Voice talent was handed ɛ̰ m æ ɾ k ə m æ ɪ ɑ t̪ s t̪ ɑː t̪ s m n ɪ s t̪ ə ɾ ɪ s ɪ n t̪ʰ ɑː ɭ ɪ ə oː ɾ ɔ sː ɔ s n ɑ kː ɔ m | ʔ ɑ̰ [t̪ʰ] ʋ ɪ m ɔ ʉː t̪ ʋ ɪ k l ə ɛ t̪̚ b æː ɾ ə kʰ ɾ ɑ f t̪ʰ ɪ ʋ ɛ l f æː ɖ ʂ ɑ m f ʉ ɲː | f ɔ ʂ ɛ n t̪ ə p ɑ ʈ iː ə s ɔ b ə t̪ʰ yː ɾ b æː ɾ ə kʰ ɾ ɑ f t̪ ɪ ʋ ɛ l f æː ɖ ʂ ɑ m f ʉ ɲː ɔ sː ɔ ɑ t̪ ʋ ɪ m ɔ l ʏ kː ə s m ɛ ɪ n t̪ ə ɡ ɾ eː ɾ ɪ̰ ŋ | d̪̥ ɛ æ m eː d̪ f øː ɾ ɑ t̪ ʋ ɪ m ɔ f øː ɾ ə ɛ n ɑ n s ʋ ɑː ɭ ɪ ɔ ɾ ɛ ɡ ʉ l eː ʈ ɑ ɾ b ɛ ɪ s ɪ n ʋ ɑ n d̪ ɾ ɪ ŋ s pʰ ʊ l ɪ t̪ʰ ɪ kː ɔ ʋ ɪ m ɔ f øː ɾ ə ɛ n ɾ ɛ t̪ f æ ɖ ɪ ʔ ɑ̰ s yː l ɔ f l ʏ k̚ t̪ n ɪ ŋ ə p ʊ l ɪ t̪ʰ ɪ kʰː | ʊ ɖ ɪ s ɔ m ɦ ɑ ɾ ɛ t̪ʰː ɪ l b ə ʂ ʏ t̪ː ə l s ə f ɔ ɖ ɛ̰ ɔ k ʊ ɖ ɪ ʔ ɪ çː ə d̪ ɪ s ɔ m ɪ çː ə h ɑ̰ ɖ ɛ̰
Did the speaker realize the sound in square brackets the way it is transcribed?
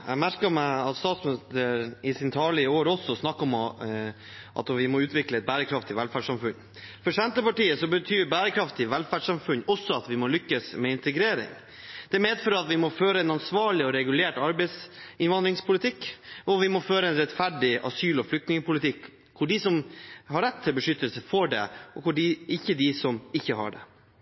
no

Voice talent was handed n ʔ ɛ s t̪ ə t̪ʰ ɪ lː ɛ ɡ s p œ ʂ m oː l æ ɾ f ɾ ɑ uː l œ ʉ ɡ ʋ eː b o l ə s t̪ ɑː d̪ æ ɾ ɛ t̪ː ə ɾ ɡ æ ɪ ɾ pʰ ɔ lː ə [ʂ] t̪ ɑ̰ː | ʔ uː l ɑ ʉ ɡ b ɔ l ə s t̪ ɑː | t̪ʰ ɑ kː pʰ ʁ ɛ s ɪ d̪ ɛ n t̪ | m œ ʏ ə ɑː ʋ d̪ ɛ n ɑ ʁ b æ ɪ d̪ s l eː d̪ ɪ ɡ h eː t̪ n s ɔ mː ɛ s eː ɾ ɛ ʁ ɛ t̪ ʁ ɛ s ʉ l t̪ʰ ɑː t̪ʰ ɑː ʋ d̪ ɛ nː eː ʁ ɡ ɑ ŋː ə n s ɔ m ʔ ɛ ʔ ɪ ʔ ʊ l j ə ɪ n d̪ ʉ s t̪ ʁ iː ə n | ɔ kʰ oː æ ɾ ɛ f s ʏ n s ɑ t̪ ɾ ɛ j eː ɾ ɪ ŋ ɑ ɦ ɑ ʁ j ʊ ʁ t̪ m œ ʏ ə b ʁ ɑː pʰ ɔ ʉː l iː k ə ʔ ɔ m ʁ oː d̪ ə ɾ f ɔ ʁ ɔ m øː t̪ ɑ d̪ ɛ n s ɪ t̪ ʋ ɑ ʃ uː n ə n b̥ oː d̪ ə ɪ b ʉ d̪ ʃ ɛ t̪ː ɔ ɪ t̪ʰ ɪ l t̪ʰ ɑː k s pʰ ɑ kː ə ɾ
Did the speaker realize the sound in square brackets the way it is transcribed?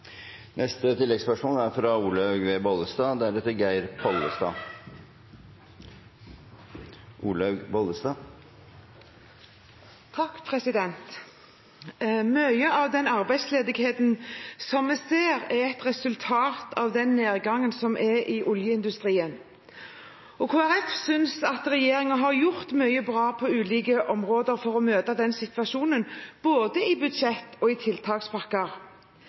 no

